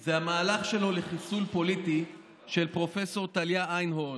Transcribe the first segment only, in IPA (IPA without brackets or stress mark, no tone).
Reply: z